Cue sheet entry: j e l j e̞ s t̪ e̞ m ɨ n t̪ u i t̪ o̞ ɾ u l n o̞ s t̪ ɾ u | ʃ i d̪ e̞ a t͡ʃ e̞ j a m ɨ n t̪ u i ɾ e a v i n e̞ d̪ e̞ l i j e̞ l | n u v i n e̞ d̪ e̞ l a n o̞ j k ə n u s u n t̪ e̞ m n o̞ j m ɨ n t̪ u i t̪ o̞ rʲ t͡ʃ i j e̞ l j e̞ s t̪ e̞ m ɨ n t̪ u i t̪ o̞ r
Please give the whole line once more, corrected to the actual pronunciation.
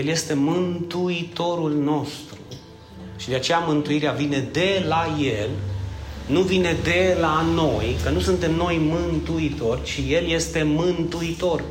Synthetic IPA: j e l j e̞ s t̪ e̞ m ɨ n t̪ u i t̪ o̞ ɾ u l n o̞ s t̪ ɾ u | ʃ i d̪ e̞ a t͡ʃ e̞ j a m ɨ n t̪ u i ɾ e a v i n e̞ d̪ e̞ l a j e̞ l | n u v i n e̞ d̪ e̞ l a n o̞ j k ə n u s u n t̪ e̞ m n o̞ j m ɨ n t̪ u i t̪ o̞ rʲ t͡ʃ i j e̞ l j e̞ s t̪ e̞ m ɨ n t̪ u i t̪ o̞ r